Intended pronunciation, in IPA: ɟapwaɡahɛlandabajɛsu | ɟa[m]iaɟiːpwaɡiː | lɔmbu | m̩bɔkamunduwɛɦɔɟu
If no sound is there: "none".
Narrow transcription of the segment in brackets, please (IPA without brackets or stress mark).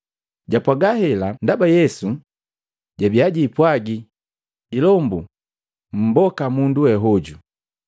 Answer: b